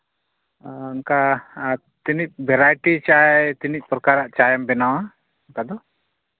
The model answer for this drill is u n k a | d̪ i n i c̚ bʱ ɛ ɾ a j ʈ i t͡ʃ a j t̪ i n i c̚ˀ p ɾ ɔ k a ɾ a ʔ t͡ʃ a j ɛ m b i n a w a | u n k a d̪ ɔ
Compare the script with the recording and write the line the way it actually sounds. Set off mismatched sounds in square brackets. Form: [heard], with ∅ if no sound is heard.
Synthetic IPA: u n k a | [t̪] i n i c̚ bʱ ɛ ɾ a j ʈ i t͡ʃ a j t̪ i n i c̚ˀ p ɾ ɔ k a ɾ a ʔ t͡ʃ a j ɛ m b [ɛ] n a w a | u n k a d̪ ɔ

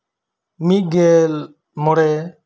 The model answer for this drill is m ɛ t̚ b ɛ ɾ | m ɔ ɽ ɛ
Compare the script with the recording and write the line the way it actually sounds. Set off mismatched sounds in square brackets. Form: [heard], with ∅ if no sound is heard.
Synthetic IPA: m [i] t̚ [ɡ] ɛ [l] | m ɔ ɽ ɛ

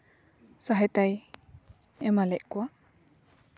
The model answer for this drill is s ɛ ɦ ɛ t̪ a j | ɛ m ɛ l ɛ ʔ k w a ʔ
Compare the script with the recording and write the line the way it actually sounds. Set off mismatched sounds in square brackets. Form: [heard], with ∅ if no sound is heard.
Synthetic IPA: s [a] ɦ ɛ t̪ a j | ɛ m [a] l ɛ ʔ k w a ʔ

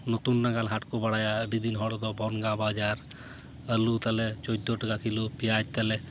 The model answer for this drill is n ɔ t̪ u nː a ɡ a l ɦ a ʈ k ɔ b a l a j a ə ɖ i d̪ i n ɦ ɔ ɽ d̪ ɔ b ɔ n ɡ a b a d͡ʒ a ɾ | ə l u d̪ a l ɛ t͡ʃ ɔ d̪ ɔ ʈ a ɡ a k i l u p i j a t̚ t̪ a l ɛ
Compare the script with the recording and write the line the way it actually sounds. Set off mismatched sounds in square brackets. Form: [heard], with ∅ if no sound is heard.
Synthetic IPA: n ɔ t̪ u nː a ɡ a l ɦ a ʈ k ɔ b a [ɽ] a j a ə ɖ i d̪ i n ɦ ɔ ɽ d̪ ɔ b ɔ n ɡ a b a d͡ʒ a ɾ | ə l u [t̪] a l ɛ t͡ʃ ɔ d̪ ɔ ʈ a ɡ a k i l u p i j a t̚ t̪ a l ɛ

